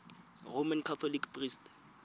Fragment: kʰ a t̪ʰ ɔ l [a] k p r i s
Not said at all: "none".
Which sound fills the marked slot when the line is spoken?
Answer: i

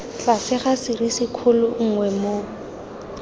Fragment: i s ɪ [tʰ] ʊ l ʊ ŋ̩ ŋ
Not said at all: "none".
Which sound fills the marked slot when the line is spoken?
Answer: kʰ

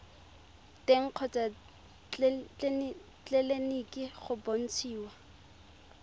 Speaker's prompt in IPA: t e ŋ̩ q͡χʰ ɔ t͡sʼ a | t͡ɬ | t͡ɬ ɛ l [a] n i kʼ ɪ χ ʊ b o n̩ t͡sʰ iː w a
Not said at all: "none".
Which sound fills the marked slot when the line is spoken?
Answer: e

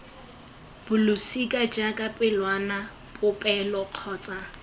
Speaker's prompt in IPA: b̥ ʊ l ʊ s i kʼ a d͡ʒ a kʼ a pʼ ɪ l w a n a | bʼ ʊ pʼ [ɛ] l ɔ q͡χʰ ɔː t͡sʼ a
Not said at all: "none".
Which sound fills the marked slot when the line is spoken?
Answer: ɛ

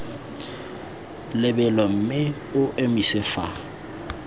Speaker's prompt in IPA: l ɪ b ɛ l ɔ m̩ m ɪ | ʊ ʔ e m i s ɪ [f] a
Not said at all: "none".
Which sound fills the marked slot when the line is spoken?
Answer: f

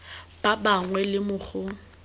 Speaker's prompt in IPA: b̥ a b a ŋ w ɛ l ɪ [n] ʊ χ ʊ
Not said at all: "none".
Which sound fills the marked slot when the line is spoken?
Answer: m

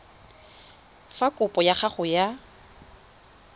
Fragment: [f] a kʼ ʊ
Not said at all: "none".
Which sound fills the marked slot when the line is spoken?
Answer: f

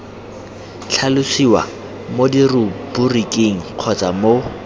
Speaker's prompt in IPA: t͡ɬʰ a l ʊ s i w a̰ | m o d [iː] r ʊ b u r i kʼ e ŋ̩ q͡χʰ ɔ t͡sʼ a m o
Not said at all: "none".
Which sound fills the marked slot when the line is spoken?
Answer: i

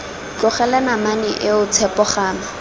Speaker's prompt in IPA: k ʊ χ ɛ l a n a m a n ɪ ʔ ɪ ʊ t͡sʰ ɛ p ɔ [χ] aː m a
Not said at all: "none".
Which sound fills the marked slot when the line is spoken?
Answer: χ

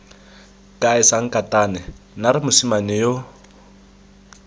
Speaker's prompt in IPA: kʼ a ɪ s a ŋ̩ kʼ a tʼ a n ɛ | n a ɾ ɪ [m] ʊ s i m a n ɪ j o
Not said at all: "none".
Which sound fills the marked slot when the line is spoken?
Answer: m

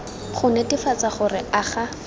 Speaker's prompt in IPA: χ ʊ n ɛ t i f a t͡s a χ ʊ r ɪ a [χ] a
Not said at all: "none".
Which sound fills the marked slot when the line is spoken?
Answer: χ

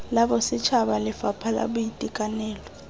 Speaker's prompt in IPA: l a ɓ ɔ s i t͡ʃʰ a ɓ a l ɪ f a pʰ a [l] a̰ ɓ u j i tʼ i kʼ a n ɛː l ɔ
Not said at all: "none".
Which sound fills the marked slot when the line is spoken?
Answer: l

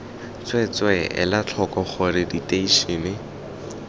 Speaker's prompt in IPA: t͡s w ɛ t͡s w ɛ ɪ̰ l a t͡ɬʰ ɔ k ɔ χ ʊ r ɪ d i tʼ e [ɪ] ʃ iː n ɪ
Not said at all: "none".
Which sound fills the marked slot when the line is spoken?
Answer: i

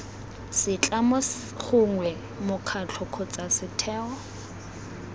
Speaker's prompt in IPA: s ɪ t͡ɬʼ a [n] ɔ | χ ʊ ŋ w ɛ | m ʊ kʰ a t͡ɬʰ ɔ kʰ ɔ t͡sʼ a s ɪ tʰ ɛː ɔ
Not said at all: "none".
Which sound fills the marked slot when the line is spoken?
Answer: m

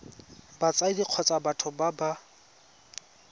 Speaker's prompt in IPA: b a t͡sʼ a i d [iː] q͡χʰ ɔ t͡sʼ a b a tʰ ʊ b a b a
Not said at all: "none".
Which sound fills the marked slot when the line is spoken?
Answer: i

